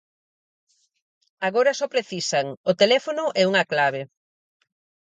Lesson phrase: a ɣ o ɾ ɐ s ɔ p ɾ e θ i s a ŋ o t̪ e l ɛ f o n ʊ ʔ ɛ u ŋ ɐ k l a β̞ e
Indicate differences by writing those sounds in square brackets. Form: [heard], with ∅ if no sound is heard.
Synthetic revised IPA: a ɣ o ɾ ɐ s ɔ p ɾ e θ i s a ŋ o t̪ e l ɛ f o n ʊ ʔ ɛ u ŋ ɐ k l a β̞ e